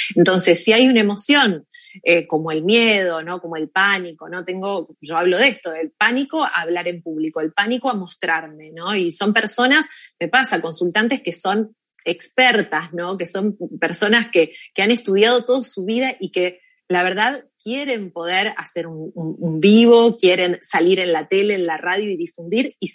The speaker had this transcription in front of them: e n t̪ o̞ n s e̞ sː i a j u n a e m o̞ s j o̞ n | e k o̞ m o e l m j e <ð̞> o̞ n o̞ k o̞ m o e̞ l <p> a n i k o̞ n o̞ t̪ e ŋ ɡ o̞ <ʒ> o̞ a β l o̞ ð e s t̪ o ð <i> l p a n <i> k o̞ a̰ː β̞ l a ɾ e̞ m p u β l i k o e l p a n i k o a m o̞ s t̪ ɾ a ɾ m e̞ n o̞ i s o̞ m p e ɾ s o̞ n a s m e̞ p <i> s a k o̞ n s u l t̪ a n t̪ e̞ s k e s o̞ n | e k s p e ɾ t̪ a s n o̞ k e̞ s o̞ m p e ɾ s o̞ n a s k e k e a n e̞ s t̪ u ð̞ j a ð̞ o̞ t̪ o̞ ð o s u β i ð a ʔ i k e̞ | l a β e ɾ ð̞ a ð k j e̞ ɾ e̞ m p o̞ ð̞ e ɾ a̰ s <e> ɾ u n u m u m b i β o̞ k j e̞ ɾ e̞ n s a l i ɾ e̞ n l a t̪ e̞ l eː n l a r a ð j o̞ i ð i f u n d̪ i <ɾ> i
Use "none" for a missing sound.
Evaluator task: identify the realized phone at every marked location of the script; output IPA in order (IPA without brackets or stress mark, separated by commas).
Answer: ð̞, p, ʒ, e, i, a, e, ɾ